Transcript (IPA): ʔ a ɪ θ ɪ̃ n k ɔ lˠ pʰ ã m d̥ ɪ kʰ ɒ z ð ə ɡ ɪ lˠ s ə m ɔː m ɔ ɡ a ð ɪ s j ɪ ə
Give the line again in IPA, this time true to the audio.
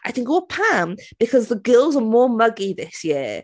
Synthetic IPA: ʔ a ɪ θ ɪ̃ ŋ k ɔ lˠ pʰ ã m b̥ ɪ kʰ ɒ z ð ə ɡ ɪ lˠ z ə m ɔː m ʌ ɡ i ð ɪ s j ɪ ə